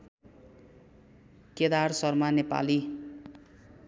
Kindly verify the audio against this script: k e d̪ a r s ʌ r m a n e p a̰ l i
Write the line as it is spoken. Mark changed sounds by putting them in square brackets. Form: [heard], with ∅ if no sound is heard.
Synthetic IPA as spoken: k e d̪ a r s ʌ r m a n e p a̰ l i